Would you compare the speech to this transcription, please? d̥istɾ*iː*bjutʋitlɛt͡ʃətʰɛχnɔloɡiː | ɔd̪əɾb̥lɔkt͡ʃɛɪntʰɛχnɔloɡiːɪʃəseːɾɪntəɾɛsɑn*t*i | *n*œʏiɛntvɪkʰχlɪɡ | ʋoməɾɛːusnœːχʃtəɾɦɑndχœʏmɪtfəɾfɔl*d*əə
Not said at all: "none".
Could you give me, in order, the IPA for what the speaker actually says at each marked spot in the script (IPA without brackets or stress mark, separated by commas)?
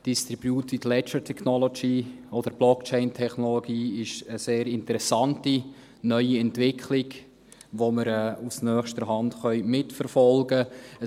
i, t, n, ɡ